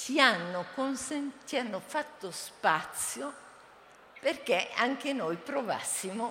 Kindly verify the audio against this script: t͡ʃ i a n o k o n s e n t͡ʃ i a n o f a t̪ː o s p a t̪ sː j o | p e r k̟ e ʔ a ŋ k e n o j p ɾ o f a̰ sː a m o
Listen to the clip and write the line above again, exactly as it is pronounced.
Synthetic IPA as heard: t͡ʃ i a nː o k o n s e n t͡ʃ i a nː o f a t̪ː o s p a t̪ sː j o | p e r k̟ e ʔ a ŋ k e n o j p ɾ o v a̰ sː i m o